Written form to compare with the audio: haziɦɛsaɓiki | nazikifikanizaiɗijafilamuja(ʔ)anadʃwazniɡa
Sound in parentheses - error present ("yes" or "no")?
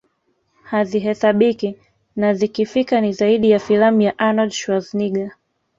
no